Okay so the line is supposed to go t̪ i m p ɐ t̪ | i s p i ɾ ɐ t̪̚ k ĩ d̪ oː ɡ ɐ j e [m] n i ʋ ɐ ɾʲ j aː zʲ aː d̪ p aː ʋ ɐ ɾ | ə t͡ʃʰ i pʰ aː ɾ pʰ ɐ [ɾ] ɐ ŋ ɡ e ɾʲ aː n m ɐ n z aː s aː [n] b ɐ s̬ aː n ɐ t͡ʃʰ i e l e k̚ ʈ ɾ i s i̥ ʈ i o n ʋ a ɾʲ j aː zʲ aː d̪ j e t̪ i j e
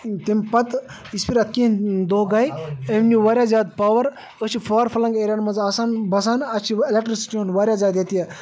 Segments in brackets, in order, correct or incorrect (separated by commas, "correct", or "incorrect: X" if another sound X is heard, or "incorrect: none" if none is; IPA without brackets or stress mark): correct, incorrect: l, correct